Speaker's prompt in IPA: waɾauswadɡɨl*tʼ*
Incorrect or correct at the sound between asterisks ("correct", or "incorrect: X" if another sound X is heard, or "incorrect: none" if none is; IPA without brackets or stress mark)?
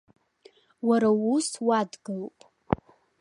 incorrect: pʼ